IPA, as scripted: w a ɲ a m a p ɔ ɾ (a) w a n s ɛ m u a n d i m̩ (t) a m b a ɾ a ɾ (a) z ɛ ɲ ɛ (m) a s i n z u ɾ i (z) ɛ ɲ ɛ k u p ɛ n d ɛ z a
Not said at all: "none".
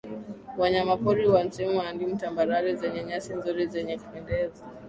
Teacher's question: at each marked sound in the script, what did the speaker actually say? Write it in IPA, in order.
i, t, i, ɲ, z

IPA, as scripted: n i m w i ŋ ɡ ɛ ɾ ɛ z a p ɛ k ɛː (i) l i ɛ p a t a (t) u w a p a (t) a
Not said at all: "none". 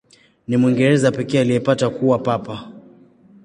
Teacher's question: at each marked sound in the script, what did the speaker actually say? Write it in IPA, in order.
a, k, p

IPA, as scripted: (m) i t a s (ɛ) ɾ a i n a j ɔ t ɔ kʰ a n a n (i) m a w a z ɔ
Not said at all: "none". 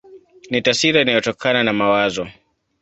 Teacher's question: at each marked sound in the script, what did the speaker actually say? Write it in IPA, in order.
n, i, a

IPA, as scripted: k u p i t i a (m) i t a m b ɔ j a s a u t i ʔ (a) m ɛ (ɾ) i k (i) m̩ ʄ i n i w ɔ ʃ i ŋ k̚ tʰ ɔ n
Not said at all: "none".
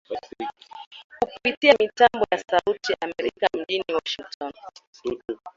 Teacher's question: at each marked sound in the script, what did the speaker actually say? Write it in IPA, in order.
m, a, ɾ, a

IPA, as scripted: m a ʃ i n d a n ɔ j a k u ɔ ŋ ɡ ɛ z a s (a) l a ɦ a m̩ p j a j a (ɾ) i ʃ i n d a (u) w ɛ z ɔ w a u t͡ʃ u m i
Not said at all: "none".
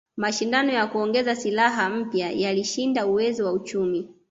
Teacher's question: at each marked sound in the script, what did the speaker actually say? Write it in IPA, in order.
i, l, u

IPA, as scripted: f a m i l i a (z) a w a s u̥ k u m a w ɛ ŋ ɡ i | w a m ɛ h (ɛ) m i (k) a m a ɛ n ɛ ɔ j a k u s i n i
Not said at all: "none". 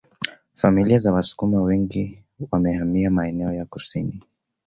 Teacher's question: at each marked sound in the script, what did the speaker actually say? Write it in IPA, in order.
z, a, none

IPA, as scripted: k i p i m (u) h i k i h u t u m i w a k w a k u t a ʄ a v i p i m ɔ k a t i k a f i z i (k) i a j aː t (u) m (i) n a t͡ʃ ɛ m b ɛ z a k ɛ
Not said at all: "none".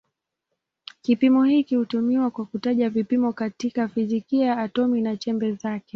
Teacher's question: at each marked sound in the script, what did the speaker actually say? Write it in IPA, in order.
ɔ, k, ɔ, i

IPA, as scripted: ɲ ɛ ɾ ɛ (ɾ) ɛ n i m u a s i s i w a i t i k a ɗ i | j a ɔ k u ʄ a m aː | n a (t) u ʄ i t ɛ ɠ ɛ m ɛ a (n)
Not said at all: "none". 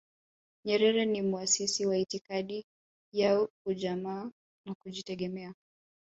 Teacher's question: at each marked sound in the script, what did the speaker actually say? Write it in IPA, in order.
ɾ, k, none

